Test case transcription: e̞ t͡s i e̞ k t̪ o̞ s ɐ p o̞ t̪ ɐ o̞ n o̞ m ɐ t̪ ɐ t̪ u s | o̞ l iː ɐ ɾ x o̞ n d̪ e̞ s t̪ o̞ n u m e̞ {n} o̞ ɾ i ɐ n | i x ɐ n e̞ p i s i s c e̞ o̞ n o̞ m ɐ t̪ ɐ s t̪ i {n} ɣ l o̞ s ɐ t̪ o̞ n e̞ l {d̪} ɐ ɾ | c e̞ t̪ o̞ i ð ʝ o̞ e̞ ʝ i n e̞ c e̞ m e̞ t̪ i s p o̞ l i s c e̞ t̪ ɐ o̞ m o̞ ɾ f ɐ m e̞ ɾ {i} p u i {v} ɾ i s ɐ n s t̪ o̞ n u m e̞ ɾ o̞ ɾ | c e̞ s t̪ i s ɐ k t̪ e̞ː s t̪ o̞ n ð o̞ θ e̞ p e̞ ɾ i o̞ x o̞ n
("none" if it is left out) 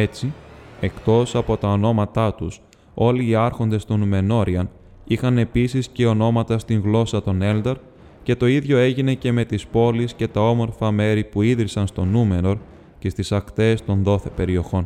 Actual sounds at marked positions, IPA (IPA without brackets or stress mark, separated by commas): n, ŋ, d̪, i, ð